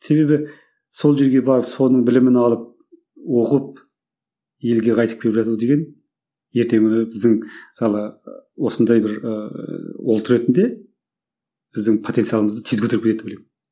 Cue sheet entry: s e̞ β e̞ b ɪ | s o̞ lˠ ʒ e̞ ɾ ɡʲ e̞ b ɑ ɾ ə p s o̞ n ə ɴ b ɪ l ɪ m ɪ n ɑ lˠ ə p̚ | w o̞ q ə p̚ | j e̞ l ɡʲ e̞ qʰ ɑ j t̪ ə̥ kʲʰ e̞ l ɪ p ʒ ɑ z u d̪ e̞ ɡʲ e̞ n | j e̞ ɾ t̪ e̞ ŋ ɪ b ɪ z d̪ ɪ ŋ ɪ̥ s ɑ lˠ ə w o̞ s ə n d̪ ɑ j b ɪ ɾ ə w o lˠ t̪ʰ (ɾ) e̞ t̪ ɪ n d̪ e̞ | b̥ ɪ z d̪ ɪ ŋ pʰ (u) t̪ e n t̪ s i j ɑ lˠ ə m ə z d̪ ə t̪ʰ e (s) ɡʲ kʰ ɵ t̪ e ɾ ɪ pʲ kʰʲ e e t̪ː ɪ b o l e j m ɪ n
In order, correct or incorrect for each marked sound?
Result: correct, incorrect: o, incorrect: z

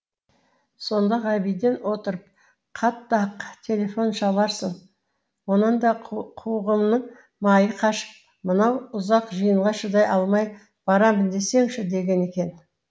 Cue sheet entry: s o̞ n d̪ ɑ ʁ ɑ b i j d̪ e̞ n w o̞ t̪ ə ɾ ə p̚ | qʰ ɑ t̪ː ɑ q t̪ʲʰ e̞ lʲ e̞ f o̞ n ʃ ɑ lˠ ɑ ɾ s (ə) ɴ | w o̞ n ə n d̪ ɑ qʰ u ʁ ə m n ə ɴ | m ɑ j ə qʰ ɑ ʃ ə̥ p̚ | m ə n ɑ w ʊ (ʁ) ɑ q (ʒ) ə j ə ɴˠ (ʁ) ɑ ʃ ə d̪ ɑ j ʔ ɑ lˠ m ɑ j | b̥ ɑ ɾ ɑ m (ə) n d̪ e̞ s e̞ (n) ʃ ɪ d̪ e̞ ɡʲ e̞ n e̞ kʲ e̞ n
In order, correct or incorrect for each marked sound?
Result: correct, incorrect: z, correct, correct, correct, incorrect: ŋ

